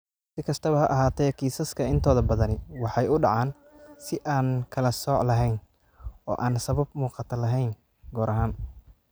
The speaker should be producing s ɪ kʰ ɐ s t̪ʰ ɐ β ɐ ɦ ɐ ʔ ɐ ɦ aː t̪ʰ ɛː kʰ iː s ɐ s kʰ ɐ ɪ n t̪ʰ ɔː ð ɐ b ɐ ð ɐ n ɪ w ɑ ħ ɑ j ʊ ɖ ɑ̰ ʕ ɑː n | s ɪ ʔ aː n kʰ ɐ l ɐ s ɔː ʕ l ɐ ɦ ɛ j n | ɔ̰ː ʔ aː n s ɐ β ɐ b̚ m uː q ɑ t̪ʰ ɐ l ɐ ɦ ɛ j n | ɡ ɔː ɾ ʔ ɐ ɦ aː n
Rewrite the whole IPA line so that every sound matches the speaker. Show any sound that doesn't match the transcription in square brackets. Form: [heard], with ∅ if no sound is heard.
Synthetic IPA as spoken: s ɪ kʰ ɐ s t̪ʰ ɐ β ɐ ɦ ɐ ʔ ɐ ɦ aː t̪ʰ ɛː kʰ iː s ɐ s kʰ ɐ ɪ n t̪ʰ ɔː ð ɐ b ɐ ð ɐ n ɪ w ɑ ħ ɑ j ʊ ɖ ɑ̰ ʕ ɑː n | s ɪ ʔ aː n kʰ ɐ l ɐ s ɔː ʕ l ɐ ɦ ɛ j n | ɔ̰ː ʔ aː n s ɐ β ɐ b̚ m uː q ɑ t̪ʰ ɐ l ɐ ɦ ɛ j n | ɡ ɔː ɾ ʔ ɐ ɦ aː n